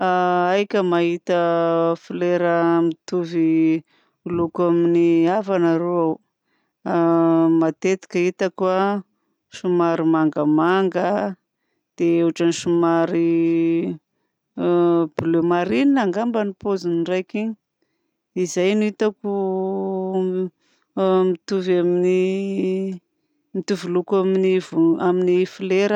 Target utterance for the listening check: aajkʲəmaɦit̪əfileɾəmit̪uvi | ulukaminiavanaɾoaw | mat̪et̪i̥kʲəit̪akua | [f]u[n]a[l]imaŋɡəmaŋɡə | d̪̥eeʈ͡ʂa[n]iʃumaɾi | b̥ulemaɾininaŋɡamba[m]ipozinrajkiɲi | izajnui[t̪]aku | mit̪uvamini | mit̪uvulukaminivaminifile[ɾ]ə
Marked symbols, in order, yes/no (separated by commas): no, no, no, yes, no, yes, yes